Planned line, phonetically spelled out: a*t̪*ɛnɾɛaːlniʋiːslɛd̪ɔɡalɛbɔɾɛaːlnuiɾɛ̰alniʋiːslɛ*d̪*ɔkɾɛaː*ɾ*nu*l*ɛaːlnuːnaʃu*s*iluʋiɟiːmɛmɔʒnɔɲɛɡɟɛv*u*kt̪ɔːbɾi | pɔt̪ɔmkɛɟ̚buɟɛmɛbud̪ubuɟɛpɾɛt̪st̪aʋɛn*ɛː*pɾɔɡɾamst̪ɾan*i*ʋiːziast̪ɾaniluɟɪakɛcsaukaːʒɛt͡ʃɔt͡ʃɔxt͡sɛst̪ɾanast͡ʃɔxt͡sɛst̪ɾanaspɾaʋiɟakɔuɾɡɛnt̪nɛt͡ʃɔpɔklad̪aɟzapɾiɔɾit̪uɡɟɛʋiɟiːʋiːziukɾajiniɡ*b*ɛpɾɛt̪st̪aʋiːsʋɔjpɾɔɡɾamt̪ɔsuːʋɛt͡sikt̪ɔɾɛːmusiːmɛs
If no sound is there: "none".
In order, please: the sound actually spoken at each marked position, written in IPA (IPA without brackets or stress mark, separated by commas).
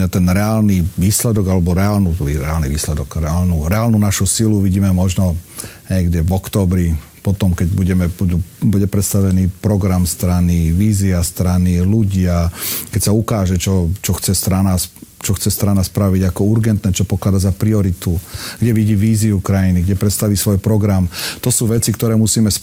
t̪, d̪, l, ɾ, s, ɔ, iː, i, ɟ